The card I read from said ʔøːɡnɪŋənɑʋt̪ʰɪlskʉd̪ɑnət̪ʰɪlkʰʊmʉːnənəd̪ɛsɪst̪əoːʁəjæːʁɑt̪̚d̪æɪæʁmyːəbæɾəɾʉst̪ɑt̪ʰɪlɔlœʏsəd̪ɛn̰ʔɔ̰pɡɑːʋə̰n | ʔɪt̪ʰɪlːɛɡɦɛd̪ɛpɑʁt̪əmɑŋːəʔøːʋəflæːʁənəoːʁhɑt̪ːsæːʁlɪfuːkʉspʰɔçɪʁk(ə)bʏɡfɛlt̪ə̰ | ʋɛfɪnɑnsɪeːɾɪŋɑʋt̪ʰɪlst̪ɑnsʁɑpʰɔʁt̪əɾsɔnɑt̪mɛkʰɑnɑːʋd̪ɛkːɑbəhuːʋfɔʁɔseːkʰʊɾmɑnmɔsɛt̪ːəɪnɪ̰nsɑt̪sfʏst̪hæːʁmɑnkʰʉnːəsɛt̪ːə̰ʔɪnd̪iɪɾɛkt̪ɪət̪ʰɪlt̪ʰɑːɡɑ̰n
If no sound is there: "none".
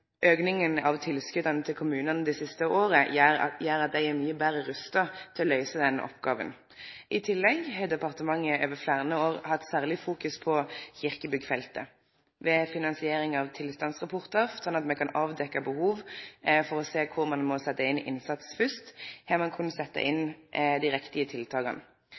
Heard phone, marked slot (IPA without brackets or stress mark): ə